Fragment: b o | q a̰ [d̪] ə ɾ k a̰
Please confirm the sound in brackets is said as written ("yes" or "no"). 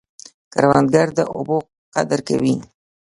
yes